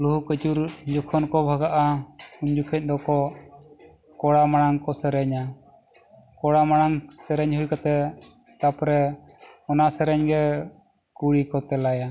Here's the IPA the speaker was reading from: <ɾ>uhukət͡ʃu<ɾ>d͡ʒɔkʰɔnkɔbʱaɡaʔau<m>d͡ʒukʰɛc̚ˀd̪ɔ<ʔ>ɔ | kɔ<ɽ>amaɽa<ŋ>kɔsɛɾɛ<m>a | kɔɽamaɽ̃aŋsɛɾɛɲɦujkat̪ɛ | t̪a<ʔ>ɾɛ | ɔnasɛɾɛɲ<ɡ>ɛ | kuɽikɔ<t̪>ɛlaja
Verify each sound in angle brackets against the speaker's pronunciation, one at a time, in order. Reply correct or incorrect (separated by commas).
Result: incorrect, correct, incorrect, incorrect, correct, correct, incorrect, incorrect, correct, correct